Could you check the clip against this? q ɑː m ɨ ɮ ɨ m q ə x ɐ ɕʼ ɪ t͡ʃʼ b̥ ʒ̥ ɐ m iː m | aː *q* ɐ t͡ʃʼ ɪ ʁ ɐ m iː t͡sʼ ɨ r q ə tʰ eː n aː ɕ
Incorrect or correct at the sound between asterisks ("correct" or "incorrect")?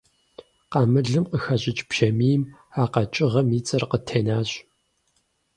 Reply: correct